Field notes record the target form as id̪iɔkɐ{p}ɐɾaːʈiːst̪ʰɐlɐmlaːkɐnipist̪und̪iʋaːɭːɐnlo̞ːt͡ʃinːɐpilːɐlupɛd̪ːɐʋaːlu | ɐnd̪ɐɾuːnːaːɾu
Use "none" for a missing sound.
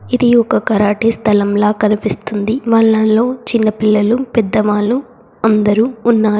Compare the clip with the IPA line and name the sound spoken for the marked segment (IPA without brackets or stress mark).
k